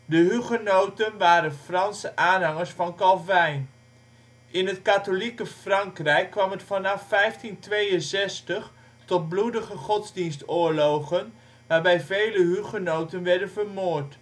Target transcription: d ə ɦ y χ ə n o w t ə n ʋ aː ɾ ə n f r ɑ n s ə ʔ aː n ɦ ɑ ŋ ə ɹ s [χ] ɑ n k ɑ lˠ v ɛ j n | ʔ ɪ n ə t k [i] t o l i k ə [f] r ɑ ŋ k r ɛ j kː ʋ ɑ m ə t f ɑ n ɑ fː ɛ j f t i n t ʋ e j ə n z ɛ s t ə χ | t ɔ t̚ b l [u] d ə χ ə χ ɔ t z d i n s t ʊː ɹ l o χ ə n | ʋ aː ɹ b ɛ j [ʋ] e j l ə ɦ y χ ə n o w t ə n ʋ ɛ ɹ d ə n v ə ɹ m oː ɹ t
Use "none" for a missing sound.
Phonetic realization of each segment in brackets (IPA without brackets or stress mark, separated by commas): f, a, f, u, v